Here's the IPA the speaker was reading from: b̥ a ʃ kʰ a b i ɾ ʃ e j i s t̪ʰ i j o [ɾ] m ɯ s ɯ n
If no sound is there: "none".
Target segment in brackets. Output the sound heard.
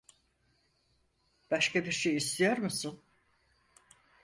ɾ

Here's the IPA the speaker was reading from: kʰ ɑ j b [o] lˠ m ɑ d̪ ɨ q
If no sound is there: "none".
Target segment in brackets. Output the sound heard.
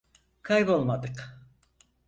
o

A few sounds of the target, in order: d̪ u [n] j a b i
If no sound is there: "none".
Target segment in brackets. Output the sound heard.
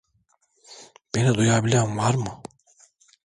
none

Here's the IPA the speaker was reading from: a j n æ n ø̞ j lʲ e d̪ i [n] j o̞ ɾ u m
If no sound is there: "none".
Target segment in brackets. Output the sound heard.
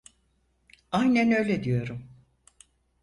none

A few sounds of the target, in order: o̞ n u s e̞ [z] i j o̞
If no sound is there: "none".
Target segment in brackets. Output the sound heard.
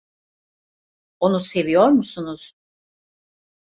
v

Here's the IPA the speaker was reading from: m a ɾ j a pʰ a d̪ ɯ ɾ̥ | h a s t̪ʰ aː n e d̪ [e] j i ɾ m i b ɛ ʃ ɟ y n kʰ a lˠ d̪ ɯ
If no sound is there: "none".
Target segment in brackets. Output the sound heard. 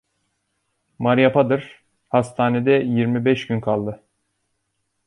ɛ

